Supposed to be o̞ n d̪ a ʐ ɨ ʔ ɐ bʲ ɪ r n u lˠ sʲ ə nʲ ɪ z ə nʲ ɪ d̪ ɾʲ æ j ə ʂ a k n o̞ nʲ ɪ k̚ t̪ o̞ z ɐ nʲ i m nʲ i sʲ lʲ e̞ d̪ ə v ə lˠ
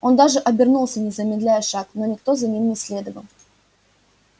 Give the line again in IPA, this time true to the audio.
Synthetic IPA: o̞ n d̪ a ʐ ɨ ʔ ɐ bʲ ɪ r n u lˠ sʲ ə nʲ ɪ z ə mʲ ɪ d̪ lʲ æ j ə ʂ a k n o̞ nʲ ɪ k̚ t̪ o̞ z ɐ nʲ i m nʲ ɪ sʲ lʲ e̞ d̪ ə v ə lˠ